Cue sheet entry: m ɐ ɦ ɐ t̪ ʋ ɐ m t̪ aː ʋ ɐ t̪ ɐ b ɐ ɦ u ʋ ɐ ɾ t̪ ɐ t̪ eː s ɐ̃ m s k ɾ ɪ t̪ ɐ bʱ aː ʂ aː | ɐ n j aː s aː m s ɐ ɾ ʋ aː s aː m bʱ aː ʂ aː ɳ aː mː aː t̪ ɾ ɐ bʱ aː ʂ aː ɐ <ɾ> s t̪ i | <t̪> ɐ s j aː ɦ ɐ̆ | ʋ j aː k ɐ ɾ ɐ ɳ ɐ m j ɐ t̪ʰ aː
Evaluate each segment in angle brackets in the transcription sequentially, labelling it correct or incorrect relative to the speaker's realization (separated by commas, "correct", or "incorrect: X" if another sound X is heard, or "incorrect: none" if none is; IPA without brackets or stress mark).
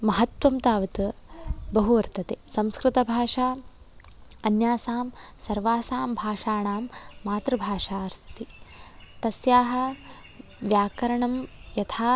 correct, correct